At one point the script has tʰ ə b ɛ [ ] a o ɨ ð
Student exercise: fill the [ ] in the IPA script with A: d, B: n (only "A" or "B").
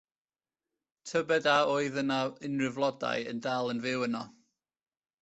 A